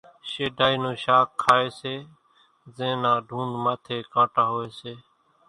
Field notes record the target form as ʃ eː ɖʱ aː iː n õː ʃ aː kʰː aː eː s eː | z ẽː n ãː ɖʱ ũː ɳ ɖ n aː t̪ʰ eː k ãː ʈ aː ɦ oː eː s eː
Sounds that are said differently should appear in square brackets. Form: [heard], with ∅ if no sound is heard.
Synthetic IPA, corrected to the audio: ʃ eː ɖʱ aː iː n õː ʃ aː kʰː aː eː s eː | z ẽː n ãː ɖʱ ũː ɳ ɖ [m] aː t̪ʰ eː k ãː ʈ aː ɦ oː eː s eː